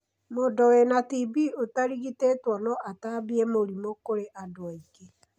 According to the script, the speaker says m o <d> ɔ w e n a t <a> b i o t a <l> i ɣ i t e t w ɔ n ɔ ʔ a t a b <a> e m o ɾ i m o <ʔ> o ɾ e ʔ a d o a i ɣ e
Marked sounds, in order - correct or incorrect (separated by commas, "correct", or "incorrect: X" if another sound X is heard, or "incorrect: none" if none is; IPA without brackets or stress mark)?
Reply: correct, incorrect: i, incorrect: ɾ, incorrect: i, incorrect: k